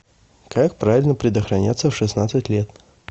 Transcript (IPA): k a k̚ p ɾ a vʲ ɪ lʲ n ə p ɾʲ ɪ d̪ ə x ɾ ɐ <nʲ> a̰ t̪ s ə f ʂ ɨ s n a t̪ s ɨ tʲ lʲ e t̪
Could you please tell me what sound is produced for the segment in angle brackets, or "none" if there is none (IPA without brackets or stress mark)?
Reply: nʲ